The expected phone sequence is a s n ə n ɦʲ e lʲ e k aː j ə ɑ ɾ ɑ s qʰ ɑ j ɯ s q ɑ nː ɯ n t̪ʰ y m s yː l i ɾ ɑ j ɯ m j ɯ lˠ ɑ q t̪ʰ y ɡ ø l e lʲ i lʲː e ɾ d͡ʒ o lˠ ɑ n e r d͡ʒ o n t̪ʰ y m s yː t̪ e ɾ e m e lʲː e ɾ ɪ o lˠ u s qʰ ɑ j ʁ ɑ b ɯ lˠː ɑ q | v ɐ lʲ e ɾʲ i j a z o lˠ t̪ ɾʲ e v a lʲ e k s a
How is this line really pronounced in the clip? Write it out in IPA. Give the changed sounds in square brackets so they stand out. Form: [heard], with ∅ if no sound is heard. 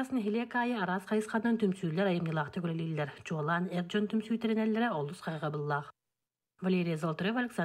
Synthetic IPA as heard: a s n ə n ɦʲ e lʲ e k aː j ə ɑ ɾ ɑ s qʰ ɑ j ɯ s q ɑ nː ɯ n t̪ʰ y m s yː l [e] ɾ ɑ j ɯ m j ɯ lˠ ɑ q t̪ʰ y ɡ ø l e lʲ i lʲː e ɾ d͡ʒ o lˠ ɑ n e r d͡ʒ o n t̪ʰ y m s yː t̪ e ɾ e [n] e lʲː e ɾ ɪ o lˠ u s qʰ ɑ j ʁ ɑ b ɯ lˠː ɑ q | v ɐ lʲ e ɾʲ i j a z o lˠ t̪ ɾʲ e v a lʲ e k s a

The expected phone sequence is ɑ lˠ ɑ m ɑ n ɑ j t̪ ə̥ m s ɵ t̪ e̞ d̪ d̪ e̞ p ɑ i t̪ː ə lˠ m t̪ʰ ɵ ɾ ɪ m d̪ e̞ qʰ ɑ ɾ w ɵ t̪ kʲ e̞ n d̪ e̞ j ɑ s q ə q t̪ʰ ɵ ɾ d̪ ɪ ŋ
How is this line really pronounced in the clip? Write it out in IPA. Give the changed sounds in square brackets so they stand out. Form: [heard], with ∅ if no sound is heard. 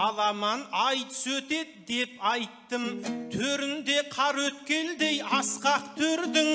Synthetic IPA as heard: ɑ lˠ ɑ m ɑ n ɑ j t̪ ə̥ [∅] s ɵ t̪ e̞ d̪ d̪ e̞ p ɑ [j] t̪ː ə [∅] m t̪ʰ ɵ ɾ ɪ [n] d̪ e̞ qʰ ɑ ɾ w ɵ t̪ kʲ e̞ n d̪ e̞ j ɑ s q [ɑ] q t̪ʰ ɵ ɾ d̪ ɪ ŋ

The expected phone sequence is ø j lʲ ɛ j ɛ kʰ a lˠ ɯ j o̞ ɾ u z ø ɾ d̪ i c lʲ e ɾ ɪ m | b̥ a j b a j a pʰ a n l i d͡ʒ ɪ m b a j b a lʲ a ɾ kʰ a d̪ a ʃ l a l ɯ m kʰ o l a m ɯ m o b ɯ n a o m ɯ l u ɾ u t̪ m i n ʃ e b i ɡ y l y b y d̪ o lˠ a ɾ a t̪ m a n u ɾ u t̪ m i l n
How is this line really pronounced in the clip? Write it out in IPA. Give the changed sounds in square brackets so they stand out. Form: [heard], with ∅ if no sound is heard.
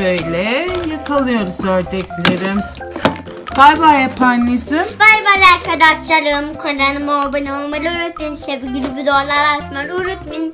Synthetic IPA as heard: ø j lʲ ɛ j [a] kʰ a lˠ ɯ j o̞ ɾ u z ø ɾ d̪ [ɛ] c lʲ e ɾ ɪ m | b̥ a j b a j a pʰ a n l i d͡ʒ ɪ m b a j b a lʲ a ɾ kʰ a d̪ a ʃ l a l ɯ m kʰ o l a [n] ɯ m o b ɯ n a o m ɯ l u ɾ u t̪ m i n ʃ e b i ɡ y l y b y d̪ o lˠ a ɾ a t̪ m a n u ɾ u t̪ m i [∅] n

